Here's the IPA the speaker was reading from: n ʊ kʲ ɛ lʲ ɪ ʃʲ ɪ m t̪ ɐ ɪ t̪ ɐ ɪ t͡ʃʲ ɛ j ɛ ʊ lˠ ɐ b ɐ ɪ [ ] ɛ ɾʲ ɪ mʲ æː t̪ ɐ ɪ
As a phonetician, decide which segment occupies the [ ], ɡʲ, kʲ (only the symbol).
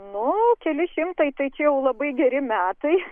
ɡʲ